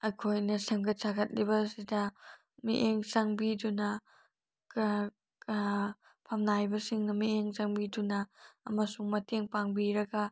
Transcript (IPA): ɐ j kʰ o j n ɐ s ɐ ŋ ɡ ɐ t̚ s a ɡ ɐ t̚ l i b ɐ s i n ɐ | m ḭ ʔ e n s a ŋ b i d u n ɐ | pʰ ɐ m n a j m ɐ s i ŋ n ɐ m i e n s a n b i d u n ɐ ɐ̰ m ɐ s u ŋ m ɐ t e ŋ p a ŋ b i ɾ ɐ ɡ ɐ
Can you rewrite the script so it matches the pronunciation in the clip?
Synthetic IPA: ɐ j kʰ o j n ɐ s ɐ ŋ ɡ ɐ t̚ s a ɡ ɐ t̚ l i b ɐ s i d ɐ | m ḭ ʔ e ŋ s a ŋ b i d u n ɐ | pʰ ɐ m n a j b ɐ s i ŋ n ɐ m i e ŋ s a ŋ b i d u n ɐ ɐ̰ m ɐ s u ŋ m ɐ t e ŋ p a ŋ b i ɾ ɐ ɡ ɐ